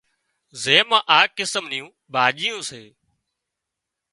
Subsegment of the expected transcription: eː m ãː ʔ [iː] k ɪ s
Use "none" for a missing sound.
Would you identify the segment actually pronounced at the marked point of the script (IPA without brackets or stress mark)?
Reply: aː